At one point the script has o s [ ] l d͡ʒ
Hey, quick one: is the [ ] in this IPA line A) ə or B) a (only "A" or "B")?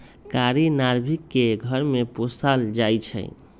B